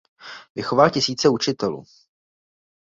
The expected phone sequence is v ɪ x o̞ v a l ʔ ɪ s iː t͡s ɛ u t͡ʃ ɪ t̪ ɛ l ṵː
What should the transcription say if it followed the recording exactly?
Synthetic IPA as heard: v ɪ x o̞ v a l c ɪ s iː t͡s ɛ u t͡ʃ ɪ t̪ ɛ l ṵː